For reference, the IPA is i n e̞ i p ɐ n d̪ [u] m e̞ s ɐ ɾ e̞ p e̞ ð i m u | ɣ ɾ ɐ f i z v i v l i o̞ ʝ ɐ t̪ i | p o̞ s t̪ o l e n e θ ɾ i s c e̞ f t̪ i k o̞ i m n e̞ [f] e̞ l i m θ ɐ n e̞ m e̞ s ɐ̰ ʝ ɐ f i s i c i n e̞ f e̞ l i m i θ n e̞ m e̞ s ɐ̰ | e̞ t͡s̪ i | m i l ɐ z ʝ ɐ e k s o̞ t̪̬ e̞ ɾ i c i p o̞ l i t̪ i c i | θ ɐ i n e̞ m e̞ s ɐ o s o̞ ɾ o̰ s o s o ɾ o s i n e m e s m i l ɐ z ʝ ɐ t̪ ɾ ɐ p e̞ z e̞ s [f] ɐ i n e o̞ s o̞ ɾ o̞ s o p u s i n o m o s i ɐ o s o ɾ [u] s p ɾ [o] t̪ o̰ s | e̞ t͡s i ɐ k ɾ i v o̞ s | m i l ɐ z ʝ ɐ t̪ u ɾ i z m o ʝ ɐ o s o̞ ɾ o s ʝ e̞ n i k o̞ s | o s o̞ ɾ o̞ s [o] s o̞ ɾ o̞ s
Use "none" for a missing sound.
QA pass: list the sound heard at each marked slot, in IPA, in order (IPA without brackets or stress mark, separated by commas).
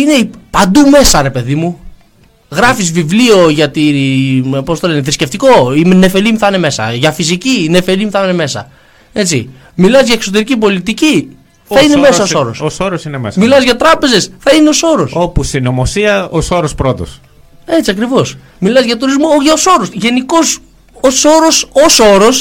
u, f, θ, o, o, o